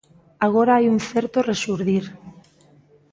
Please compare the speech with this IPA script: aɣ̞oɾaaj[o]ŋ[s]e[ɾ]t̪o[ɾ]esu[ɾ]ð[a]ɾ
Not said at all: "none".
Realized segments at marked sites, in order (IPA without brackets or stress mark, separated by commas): u, θ, ɾ, r, ɾ, i